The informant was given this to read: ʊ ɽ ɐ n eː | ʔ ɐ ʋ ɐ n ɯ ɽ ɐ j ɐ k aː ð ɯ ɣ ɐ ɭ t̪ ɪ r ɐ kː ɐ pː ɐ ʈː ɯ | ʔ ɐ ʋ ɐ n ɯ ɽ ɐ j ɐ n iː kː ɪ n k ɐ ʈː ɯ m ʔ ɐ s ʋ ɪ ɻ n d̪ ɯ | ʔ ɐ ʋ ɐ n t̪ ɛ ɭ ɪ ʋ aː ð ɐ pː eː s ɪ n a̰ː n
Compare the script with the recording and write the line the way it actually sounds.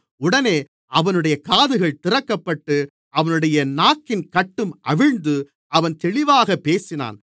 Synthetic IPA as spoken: ʊ ɽ ɐ n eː | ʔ ɐ ʋ ɐ n ɯ ɽ ɐ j ɐ k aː ð ɯ ɣ ɐ ɭ t̪ ɪ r ɐ kː ɐ pː ɐ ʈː ɯ | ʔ ɐ ʋ ɐ n ɯ ɽ ɐ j ɐ n aː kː ɪ n k ɐ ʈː ɯ m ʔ ɐ ʋ ɪ ɻ n d̪ ɯ | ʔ ɐ ʋ ɐ n t̪ ɛ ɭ ɪ ʋ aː ɣ ɐ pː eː s ɪ n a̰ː n